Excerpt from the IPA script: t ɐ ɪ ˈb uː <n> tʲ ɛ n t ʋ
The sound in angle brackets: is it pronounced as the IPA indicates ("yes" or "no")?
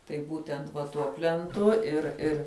no